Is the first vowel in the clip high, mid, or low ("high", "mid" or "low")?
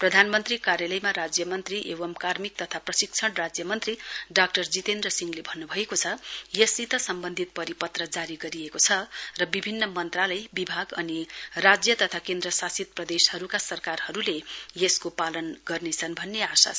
mid